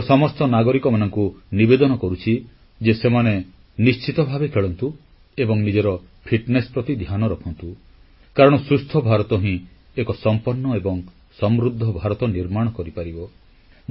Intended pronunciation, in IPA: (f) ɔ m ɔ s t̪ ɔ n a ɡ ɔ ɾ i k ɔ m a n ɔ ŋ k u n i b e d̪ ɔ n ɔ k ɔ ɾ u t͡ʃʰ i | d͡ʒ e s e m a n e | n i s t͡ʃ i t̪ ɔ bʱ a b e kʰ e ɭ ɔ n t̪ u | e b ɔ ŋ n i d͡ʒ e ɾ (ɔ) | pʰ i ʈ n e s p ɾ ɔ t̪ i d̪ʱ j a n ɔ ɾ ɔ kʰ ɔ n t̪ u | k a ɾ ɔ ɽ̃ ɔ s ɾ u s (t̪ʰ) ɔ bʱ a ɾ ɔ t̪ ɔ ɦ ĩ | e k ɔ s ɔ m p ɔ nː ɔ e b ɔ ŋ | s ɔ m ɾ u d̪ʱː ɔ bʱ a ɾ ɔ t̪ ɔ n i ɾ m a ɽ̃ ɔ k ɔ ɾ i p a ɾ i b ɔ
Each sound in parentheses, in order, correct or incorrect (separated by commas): incorrect, correct, correct